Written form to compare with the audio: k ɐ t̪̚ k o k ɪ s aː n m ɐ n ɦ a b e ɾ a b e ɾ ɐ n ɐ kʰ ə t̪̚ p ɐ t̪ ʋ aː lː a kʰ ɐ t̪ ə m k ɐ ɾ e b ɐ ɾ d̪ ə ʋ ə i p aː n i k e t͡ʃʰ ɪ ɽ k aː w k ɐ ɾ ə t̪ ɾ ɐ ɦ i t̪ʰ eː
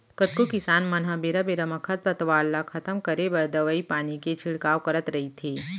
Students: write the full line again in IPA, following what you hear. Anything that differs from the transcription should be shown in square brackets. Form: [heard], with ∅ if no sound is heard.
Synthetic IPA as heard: k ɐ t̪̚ k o k ɪ s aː n m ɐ n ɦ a b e ɾ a b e ɾ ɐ [m] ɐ kʰ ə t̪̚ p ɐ t̪ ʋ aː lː a kʰ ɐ t̪ ə m k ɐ ɾ e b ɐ ɾ d̪ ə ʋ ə i p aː n i k e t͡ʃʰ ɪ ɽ k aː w k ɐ ɾ ə t̪ ɾ ɐ ɦ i t̪ʰ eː